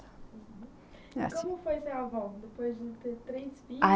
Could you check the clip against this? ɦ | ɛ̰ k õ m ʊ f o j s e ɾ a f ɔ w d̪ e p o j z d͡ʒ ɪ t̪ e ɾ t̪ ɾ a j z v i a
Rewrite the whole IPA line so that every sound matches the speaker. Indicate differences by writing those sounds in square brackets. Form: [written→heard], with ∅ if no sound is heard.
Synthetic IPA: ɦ | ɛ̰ k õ m ʊ f o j s e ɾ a [f→v] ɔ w d̪ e p o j z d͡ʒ ɪ t̪ e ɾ t̪ ɾ [a→e] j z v i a